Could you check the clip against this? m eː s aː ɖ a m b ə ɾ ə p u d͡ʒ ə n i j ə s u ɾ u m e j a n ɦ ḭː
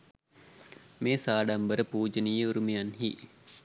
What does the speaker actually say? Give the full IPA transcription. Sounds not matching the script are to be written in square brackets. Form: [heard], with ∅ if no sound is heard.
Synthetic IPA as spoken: m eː s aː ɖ a m b ə ɾ ə p [uː] d͡ʒ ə n i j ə [∅] u ɾ u m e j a n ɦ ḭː